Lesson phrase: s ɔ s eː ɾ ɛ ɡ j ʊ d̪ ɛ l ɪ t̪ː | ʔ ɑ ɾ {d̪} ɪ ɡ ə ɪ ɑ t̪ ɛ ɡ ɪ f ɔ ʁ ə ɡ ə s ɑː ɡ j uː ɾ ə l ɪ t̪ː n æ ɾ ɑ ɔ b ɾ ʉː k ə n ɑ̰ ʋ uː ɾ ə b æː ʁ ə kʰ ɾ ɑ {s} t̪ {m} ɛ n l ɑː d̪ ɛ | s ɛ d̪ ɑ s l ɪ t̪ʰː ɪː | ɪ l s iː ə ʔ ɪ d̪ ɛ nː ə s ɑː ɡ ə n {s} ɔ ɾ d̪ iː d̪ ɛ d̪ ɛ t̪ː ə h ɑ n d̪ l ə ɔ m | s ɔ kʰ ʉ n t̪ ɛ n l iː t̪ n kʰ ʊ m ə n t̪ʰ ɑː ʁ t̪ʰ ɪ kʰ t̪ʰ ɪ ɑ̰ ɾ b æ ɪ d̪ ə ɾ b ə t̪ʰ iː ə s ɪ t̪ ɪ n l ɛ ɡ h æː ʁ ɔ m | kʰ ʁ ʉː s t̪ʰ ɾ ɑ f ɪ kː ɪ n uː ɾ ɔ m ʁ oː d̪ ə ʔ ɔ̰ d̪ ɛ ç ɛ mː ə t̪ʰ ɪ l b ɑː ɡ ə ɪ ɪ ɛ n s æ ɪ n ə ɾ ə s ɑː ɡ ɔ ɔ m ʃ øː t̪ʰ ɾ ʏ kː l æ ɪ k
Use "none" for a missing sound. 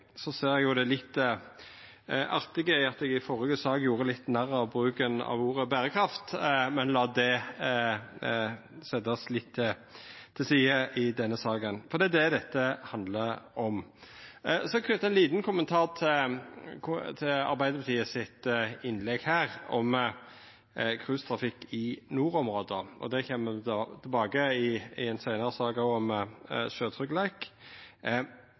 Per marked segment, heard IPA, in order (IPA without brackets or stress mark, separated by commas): t̪, f, m, f